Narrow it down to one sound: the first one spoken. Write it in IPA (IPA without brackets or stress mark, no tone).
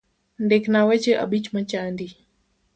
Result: n